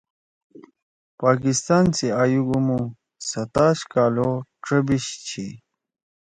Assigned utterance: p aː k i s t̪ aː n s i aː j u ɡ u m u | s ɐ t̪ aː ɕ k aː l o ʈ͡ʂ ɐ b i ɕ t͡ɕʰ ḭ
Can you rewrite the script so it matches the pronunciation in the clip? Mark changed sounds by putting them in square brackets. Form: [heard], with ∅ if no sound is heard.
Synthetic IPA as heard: p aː k i s t̪ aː n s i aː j u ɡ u m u | s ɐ t̪ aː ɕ k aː l o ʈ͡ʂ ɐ b i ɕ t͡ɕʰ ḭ